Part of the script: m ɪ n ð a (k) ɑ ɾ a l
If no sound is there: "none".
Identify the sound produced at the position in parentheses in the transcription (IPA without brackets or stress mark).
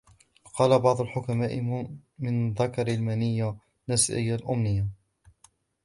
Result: k